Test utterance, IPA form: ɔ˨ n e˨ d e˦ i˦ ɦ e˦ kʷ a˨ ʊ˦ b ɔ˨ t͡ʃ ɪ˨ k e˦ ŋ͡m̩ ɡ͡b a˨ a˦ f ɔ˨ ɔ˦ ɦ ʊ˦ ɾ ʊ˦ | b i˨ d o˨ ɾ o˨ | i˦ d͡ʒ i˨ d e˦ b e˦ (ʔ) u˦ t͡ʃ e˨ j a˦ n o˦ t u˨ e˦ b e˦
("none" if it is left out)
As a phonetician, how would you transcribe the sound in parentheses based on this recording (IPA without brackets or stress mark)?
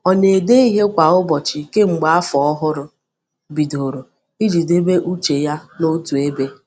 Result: ʔ